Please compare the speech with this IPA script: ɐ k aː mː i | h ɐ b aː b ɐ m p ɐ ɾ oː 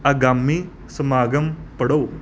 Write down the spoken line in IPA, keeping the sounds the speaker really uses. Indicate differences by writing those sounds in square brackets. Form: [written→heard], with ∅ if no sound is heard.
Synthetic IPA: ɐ [k→ɡ] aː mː i | [h→s] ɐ [b→m] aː [b→ɡ] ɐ m p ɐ [ɾ→ɽ] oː